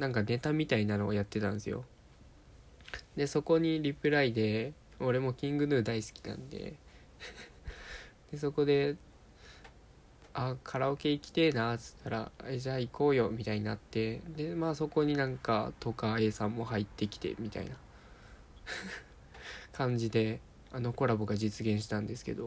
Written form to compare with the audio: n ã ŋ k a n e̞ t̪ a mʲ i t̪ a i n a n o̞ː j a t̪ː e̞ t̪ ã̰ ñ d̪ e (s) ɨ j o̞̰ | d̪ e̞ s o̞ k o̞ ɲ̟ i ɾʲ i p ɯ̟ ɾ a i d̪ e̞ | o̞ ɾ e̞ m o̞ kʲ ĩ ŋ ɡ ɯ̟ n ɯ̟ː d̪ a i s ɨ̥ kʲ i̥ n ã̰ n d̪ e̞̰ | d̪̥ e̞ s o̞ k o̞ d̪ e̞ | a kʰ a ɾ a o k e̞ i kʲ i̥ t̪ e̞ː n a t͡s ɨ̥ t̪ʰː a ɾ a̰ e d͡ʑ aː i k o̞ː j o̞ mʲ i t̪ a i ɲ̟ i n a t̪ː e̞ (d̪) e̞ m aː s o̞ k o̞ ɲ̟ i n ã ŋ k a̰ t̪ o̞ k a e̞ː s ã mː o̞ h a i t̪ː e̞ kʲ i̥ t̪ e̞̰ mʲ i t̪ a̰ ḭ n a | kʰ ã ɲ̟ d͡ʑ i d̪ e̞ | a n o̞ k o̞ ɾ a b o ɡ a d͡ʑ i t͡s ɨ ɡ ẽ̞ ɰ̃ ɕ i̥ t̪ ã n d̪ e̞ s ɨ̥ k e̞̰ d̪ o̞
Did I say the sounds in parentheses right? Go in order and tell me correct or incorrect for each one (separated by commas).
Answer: correct, correct